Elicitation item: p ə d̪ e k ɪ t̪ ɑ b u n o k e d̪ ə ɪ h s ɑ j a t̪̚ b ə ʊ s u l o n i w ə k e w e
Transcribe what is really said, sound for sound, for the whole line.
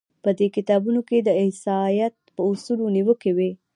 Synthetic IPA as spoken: p ə d̪ e k ɪ t̪ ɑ b u n o k e d̪ ə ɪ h s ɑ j a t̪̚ p ə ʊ s u l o n i w ə k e w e